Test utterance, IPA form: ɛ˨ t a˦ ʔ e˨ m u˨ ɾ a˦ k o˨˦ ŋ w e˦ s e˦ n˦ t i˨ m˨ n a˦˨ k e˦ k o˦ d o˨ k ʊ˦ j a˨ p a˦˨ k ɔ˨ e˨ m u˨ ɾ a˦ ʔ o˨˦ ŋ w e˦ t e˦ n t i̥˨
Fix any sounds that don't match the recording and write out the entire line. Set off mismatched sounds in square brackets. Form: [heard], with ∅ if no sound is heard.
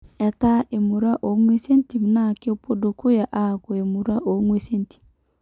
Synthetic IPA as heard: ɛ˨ t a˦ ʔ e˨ m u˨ ɾ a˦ [ʔ] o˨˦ ŋ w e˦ s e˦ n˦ t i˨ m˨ n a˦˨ k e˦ [p] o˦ d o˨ k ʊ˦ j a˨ [ʔ] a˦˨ k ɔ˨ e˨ m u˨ ɾ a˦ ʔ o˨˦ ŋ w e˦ [s] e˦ n t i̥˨